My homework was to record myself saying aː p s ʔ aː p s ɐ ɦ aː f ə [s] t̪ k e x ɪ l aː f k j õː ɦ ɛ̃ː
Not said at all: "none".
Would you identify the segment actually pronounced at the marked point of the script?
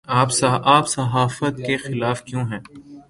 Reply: none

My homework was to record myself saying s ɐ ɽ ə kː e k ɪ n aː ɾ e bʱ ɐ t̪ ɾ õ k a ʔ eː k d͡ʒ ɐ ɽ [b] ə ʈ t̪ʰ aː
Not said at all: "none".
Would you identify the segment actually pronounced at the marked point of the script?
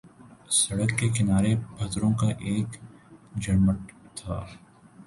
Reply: m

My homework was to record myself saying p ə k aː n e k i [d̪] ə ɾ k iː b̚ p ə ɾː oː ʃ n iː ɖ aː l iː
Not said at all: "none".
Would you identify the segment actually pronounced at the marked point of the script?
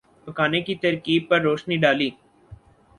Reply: t̪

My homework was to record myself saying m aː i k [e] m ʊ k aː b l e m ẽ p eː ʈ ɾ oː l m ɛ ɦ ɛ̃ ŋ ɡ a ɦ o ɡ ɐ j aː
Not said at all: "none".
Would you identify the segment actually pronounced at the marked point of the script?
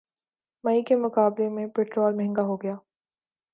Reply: e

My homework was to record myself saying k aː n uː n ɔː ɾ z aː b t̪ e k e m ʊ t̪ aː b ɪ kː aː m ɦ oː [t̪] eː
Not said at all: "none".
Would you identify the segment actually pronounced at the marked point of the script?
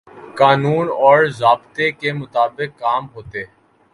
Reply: t̪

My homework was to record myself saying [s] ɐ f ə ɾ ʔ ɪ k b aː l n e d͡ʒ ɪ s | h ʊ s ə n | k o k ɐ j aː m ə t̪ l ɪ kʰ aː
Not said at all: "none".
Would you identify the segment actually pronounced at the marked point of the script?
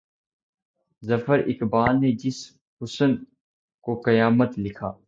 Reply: z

